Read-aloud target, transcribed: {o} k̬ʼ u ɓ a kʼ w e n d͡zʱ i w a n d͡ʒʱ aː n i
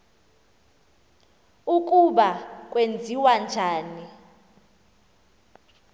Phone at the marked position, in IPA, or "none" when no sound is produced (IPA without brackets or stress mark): u